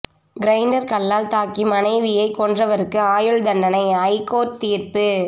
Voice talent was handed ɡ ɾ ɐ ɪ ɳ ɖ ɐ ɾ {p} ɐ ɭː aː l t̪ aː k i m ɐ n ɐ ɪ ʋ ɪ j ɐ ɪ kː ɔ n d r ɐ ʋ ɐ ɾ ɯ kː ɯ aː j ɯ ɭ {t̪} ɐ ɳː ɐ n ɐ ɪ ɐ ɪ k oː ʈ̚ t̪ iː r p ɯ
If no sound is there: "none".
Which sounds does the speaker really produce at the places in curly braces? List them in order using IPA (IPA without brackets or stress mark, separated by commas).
k, d̪